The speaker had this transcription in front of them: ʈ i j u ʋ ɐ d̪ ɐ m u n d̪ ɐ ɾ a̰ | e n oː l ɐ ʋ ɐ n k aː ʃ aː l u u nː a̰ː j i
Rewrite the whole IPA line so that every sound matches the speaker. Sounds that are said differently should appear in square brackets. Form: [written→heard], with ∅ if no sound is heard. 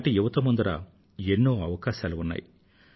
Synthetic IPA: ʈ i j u ʋ ɐ [d̪→t̪] ɐ m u n d̪ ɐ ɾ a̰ | e [n→nː] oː [l→∅] ɐ ʋ ɐ [n→∅] k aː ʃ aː l u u nː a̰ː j i